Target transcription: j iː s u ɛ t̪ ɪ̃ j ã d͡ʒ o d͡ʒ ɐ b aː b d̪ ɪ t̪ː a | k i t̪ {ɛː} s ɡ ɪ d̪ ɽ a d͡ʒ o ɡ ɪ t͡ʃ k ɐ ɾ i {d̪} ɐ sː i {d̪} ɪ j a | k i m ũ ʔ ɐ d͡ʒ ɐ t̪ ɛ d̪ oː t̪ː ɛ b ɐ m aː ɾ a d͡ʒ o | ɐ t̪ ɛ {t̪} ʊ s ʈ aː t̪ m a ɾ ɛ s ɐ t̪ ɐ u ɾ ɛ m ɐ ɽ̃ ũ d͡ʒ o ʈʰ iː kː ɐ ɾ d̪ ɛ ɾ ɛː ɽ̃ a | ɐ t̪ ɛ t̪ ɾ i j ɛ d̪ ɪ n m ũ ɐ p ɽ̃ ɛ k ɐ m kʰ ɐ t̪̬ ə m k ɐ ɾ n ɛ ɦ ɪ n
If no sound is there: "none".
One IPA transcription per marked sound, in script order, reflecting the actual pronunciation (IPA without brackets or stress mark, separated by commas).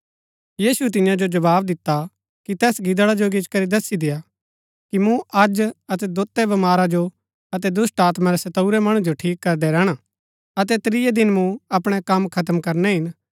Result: ɛː, d̪, d̪, d̪